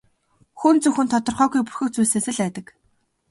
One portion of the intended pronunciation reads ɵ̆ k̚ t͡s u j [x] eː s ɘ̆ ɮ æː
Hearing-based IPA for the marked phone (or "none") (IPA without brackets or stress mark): s